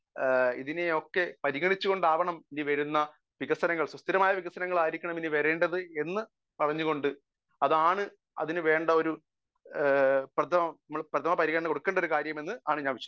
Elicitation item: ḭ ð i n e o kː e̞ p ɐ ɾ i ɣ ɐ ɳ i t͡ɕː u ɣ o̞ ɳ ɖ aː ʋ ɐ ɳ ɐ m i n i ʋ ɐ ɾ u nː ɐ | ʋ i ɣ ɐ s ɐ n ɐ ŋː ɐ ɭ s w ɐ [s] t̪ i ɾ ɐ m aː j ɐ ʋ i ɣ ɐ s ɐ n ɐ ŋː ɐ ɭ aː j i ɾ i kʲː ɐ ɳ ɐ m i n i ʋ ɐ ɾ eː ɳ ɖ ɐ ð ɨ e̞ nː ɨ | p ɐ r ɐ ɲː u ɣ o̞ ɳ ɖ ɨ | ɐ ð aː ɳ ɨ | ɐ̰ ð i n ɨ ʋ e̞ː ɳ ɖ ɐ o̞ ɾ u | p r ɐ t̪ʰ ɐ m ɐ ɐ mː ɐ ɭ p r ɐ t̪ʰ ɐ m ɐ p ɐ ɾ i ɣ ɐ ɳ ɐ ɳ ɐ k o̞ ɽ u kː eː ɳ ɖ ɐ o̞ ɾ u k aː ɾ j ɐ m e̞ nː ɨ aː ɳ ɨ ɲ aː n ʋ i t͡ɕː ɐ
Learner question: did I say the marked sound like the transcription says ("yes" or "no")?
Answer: yes